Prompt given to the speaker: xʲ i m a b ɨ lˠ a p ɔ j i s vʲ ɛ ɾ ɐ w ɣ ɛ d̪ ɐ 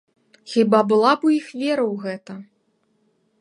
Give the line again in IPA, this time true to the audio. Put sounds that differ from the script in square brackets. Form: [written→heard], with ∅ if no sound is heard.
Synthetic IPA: xʲ i [m→b] a b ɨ lˠ a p [ɔ→u] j i [s→x] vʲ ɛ ɾ ɐ w ɣ ɛ [d̪→t̪] ɐ